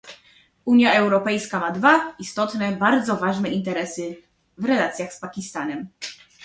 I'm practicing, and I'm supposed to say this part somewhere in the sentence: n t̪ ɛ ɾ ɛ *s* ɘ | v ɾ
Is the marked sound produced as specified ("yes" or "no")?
yes